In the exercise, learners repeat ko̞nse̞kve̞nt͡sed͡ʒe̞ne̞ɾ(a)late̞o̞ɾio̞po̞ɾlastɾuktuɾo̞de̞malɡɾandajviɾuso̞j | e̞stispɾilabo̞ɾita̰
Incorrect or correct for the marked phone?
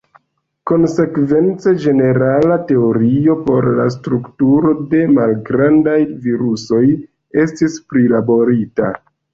correct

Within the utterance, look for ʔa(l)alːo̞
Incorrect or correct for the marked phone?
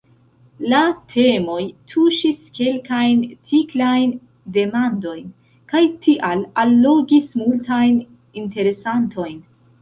correct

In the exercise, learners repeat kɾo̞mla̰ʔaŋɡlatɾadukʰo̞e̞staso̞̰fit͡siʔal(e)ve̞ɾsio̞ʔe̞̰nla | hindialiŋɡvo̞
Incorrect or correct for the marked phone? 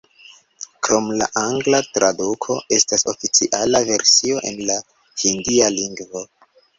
incorrect: a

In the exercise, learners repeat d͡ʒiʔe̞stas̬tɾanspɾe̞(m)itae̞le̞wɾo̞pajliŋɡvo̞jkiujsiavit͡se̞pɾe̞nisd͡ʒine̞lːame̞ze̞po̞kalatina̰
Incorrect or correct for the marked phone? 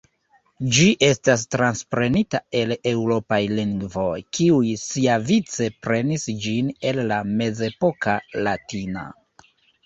incorrect: n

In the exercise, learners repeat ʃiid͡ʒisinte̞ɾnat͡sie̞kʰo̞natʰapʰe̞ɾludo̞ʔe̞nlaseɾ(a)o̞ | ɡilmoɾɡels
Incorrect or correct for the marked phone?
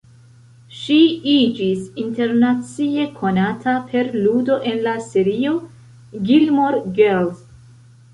incorrect: i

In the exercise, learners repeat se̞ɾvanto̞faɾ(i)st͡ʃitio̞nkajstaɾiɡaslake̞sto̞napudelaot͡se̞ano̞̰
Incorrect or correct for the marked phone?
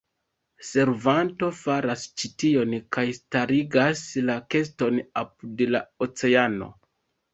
incorrect: a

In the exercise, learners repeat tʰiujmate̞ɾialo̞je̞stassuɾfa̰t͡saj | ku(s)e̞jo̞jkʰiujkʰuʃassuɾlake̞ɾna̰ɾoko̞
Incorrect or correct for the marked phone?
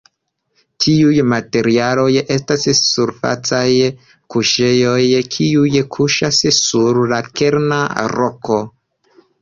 incorrect: ʃ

